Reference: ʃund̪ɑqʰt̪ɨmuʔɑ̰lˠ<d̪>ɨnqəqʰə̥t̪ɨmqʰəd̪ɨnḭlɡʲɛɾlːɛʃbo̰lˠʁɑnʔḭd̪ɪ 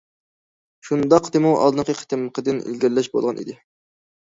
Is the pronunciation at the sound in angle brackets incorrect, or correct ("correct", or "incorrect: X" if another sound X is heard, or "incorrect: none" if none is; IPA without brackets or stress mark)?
correct